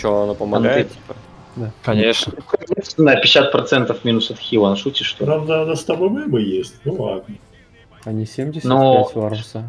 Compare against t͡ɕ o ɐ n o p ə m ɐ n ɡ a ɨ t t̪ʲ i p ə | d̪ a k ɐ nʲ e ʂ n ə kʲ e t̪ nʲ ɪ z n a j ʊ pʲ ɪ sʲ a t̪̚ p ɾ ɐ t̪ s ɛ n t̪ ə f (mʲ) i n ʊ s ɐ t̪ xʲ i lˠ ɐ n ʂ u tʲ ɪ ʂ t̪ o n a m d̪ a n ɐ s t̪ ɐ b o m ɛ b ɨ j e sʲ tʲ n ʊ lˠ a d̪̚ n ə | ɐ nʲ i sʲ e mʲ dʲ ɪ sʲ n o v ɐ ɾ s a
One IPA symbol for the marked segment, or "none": mʲ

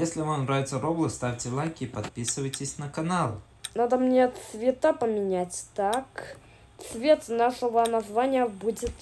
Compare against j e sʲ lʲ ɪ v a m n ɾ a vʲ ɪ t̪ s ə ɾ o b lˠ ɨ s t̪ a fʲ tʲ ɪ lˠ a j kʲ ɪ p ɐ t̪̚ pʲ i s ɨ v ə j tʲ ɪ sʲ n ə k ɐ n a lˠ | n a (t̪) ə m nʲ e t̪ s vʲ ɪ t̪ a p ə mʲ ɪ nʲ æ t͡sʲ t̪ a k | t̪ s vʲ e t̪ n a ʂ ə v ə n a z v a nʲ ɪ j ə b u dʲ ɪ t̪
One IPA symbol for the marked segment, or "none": d̪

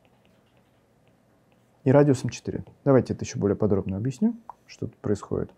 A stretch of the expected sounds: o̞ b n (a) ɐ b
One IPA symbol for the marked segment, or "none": ə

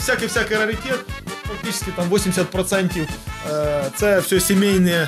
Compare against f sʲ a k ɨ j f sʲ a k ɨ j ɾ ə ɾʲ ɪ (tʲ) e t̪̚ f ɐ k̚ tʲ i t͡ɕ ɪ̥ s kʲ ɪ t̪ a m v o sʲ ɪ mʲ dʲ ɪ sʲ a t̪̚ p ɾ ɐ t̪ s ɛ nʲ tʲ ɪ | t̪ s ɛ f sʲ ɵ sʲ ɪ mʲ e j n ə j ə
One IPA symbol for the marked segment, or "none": tʲ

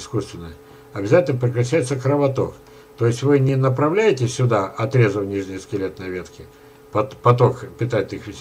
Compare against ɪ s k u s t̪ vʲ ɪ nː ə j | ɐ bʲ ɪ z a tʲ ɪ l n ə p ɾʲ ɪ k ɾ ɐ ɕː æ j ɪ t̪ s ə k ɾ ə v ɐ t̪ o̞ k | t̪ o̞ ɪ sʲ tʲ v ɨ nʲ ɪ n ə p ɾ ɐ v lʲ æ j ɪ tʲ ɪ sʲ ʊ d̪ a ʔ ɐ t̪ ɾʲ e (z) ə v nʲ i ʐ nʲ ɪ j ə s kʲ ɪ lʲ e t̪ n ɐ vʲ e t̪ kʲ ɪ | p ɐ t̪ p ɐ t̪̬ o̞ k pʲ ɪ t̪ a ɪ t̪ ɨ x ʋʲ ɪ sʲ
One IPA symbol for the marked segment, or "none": z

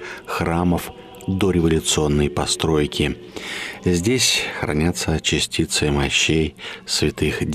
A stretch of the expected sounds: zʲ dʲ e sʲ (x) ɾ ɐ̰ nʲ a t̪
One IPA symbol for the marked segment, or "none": x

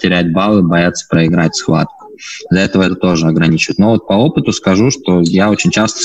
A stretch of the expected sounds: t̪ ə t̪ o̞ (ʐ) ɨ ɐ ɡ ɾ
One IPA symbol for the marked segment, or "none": ʐ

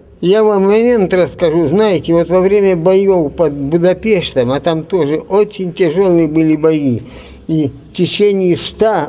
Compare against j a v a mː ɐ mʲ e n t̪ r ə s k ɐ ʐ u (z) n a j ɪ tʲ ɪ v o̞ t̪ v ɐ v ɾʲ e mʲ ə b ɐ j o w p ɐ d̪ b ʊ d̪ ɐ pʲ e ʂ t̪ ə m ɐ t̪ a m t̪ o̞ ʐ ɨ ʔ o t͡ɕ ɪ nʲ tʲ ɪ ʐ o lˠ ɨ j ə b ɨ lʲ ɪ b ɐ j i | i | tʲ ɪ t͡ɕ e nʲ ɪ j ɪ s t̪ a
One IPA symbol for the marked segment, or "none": z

